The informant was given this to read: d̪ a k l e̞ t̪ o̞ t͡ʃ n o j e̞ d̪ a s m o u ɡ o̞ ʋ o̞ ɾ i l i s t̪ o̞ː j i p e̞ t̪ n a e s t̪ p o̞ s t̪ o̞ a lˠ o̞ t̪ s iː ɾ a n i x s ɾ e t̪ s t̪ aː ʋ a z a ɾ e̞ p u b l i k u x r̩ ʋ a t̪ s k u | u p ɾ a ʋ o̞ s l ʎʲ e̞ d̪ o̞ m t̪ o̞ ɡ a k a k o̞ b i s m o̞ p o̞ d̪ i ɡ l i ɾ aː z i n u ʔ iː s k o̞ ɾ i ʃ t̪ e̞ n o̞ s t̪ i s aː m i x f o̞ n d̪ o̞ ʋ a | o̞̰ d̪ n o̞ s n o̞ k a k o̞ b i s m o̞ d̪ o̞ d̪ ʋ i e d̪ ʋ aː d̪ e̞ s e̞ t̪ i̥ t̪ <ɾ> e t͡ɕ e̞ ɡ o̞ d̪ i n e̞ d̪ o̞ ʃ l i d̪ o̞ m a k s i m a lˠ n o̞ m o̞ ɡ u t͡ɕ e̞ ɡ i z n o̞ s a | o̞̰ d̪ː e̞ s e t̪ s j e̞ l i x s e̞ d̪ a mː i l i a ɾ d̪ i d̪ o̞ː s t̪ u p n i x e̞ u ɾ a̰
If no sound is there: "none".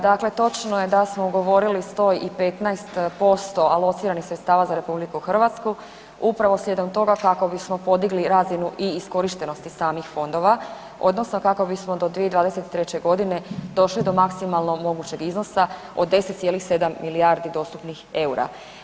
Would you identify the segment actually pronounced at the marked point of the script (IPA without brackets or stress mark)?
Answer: ɾ